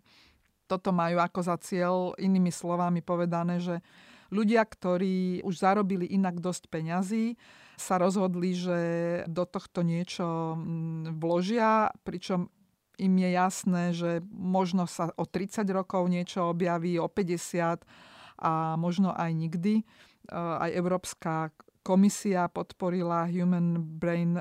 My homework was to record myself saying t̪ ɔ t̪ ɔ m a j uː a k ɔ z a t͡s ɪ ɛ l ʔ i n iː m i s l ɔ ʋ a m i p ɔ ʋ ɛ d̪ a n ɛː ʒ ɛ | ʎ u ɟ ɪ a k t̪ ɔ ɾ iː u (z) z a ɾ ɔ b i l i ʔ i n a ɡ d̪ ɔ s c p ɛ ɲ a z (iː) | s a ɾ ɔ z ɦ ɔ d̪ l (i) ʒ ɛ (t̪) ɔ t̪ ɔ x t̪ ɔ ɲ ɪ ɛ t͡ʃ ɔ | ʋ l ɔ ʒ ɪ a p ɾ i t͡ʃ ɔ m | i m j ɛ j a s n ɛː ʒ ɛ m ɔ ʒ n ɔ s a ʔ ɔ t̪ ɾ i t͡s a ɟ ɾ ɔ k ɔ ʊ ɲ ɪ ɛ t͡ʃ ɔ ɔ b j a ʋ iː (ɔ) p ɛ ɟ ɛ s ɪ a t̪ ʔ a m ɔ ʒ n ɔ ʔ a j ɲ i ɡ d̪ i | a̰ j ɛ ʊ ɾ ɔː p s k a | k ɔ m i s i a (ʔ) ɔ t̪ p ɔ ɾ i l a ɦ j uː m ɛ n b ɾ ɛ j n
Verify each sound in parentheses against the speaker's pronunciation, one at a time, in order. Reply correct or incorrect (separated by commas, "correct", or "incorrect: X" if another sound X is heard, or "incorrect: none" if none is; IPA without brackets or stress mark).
incorrect: ʒ, correct, correct, incorrect: d̪, correct, incorrect: p